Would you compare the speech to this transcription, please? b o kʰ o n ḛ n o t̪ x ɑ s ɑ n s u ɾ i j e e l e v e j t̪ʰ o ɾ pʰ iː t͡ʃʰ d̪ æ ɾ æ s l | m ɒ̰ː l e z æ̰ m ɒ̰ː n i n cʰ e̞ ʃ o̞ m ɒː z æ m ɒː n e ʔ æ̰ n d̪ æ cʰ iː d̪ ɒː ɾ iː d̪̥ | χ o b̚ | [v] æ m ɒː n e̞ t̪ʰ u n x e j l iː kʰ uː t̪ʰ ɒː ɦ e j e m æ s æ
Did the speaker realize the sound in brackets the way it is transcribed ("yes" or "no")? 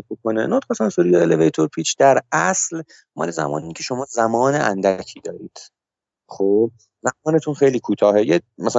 no